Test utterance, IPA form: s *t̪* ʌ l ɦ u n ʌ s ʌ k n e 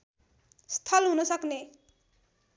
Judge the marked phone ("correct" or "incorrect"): incorrect